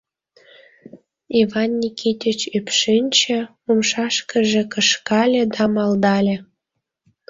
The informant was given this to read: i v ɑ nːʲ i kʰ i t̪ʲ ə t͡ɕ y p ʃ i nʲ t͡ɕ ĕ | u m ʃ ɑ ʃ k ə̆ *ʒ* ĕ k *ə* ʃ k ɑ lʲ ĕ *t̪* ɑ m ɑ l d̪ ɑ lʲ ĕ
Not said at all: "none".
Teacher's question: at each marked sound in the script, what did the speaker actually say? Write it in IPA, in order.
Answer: ʒ, ə, d̪

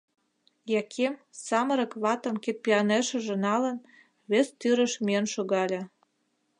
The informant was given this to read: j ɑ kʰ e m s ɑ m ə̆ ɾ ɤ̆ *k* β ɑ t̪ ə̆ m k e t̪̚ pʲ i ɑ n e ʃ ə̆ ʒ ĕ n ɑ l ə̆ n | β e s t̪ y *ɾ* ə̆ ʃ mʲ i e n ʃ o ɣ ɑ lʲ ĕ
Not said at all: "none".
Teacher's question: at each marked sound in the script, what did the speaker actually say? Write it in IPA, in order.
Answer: k, ɾ

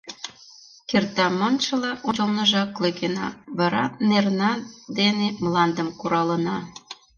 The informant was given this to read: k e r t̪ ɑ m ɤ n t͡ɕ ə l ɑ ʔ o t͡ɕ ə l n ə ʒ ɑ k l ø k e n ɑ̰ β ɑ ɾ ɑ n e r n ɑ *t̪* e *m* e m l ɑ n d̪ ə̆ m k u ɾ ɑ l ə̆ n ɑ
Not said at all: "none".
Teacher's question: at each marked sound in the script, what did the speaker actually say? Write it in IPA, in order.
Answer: d̪, n

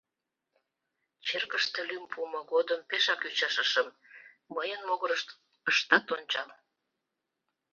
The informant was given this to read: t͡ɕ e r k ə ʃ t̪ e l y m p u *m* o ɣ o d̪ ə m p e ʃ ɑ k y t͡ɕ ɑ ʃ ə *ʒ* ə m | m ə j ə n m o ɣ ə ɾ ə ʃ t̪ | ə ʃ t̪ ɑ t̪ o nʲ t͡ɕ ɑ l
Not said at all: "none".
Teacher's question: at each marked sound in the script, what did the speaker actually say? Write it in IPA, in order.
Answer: m, ʃ

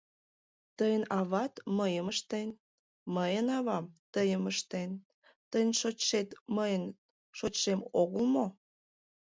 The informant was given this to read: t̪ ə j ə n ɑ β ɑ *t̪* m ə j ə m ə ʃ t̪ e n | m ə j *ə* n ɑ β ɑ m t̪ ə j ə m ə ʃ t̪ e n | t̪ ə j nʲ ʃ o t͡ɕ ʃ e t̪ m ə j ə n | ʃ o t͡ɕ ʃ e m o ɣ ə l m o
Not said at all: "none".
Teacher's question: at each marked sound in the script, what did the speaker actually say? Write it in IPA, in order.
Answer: t̪, ə

